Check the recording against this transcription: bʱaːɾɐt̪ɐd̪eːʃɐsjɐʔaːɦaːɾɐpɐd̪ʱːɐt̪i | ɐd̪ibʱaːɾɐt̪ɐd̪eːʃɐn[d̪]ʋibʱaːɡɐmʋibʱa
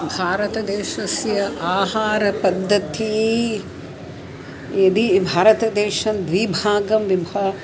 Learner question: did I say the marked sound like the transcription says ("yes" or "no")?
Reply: yes